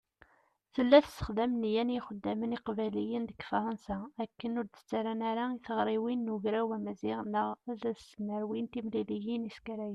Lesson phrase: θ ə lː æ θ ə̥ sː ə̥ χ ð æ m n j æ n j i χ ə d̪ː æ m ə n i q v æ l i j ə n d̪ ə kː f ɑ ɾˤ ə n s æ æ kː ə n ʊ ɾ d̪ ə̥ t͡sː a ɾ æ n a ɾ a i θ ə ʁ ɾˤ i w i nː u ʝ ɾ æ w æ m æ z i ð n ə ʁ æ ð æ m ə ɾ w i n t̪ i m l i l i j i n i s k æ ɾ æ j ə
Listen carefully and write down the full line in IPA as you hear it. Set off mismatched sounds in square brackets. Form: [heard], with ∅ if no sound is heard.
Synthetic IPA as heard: θ ə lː æ θ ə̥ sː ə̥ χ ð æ m n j æ n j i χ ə d̪ː æ m ə n i q v æ l i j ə n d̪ ə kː f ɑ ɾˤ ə n s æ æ kː ə n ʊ ɾ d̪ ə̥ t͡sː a ɾ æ n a ɾ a i θ ə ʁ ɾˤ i w i nː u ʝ ɾ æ w æ m æ z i [ʁ] n ə ʁ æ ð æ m ə ɾ w i n t̪ i m l i l i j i n i s k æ ɾ æ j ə